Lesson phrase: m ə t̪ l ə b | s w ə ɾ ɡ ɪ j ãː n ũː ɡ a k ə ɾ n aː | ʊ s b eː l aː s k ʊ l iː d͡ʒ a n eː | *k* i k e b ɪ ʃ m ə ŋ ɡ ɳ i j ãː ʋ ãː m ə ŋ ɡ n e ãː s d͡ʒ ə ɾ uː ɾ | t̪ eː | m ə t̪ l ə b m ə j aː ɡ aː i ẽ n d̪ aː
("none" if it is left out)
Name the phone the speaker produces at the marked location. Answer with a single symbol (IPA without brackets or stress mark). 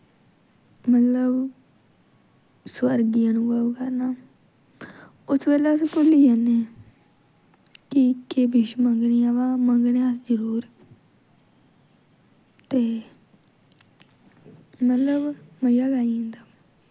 k